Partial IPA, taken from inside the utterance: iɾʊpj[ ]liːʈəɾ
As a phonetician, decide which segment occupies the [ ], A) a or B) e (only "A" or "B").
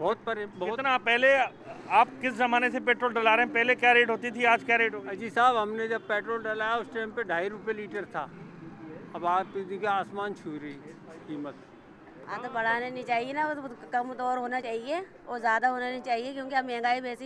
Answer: B